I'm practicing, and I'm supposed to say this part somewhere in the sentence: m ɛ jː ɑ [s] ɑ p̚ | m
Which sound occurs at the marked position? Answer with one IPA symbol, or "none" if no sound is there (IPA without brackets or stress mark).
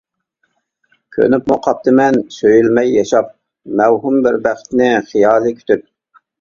ʃ